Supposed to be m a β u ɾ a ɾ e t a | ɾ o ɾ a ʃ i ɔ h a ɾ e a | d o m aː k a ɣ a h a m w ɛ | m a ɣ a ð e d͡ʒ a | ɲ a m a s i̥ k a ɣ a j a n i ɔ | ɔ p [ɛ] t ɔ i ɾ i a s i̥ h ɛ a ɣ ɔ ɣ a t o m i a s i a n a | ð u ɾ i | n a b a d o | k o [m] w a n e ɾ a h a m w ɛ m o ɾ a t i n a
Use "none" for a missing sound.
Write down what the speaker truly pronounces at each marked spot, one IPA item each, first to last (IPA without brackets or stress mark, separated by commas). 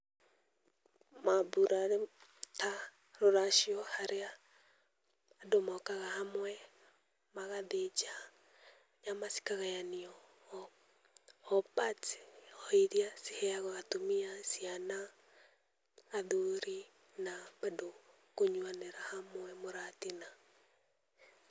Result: a, ɲ